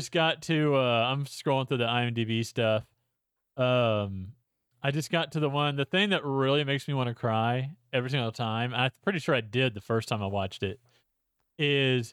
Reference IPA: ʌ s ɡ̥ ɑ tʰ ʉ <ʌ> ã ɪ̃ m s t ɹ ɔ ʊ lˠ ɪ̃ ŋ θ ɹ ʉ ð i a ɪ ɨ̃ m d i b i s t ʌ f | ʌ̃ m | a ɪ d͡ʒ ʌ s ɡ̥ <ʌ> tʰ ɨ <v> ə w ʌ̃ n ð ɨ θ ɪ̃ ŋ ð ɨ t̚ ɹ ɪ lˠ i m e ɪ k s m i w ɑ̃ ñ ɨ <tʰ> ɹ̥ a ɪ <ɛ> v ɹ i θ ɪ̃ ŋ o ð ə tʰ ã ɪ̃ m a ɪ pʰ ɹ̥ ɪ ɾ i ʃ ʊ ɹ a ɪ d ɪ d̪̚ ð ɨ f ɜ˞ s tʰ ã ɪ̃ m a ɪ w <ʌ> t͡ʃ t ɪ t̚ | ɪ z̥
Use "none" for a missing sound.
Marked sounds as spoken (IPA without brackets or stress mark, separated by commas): ʌ, ɑ, ð, kʰ, ɛ, ɑ